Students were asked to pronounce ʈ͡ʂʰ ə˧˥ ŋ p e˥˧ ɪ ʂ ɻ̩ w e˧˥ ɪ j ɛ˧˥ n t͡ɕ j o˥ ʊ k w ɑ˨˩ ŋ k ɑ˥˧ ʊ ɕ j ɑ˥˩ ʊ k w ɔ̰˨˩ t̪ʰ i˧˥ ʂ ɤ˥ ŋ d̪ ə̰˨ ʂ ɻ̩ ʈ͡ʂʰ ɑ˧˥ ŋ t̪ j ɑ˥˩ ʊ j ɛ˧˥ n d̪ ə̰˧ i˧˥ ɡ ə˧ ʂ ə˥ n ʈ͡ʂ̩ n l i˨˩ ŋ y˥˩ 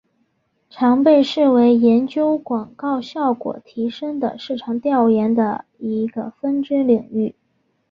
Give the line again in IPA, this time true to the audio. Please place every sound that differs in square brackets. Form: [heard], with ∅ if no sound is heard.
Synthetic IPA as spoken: ʈ͡ʂʰ [ɑ˧˥] ŋ p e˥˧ ɪ ʂ ɻ̩ w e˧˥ ɪ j ɛ˧˥ n t͡ɕ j o˥ ʊ k w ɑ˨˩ ŋ k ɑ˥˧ ʊ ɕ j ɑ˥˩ ʊ k w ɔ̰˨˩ t̪ʰ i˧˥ ʂ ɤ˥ ŋ d̪ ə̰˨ ʂ ɻ̩ ʈ͡ʂʰ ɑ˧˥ ŋ t̪ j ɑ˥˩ ʊ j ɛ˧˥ n d̪ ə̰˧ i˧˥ ɡ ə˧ [f] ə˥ n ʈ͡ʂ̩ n l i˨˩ ŋ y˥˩